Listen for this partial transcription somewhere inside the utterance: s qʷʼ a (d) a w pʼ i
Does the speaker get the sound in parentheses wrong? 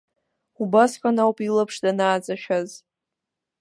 yes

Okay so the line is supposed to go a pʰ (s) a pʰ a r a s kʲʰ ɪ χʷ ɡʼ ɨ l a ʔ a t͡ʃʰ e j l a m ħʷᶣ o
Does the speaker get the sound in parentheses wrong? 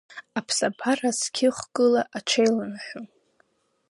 no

